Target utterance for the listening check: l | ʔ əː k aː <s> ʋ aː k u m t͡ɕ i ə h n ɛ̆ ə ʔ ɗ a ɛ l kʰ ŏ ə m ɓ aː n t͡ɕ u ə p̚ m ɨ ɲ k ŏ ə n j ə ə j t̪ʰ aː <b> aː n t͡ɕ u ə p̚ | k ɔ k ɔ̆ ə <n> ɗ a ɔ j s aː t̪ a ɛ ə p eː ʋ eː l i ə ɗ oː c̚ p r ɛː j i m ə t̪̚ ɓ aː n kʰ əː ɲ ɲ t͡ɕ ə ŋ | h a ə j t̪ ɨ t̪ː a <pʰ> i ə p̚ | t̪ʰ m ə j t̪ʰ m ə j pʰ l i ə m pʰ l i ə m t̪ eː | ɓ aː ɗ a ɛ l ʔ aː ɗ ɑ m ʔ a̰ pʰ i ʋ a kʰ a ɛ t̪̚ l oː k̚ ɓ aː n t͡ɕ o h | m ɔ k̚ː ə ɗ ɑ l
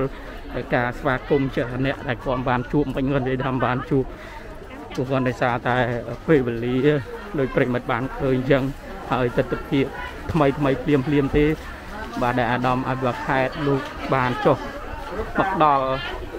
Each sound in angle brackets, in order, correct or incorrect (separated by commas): correct, incorrect, correct, correct